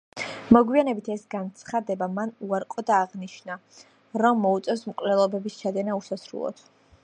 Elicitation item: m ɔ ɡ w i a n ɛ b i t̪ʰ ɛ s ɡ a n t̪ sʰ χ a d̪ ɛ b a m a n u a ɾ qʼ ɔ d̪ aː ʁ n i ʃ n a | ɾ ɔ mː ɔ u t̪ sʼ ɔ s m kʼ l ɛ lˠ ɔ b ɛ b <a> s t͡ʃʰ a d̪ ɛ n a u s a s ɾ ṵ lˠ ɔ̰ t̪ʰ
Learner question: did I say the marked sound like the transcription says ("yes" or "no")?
no